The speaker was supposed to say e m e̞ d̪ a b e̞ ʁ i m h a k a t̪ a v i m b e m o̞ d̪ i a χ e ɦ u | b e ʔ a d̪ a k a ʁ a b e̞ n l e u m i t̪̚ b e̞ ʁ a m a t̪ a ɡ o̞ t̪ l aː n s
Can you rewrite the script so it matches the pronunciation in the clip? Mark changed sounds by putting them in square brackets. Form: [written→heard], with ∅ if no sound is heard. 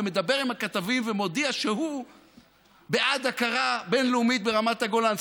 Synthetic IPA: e m e̞ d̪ a b e̞ ʁ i m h a k a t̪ a v i m [b→v] e m o̞ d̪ i a [χ→ʃ] e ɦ u | b e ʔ a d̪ a k a ʁ a b e̞ n l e u m i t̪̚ b e̞ ʁ a m a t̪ a ɡ o̞ [t̪→∅] l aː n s